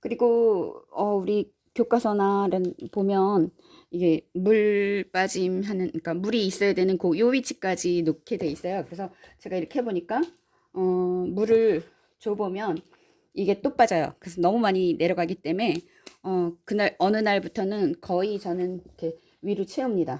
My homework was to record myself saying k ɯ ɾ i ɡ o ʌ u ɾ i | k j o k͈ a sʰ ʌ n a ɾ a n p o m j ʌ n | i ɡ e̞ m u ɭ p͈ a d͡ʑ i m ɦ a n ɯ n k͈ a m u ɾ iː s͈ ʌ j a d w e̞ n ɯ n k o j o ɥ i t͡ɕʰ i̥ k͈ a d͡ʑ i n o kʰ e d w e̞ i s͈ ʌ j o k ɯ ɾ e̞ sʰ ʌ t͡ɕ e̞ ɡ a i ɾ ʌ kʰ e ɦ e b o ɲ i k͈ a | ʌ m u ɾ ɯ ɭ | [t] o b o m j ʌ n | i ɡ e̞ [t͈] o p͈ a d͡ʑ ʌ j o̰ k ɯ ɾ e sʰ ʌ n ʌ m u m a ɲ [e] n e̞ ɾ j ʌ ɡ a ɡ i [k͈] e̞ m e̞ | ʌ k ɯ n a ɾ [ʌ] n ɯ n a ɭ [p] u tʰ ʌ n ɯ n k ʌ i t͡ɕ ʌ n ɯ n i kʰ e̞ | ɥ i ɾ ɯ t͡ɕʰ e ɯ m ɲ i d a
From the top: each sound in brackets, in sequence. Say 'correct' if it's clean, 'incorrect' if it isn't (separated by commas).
incorrect, correct, incorrect, incorrect, correct, incorrect